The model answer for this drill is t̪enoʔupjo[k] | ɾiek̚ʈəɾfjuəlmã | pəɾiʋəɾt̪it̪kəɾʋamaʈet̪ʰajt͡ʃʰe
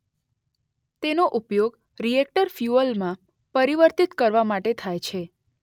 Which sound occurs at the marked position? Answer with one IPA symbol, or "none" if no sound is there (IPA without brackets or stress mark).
ɡ